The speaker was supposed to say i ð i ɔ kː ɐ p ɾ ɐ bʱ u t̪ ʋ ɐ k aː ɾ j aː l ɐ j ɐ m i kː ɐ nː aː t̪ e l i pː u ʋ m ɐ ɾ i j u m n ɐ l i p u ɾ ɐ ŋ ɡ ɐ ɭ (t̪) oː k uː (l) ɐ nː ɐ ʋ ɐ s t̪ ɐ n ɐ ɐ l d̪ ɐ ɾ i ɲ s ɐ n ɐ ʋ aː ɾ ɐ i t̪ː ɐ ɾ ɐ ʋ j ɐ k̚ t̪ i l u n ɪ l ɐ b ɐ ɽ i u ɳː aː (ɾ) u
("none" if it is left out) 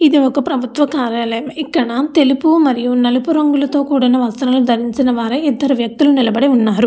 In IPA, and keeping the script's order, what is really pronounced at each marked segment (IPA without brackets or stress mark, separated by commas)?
t̪, ɽ, ɾ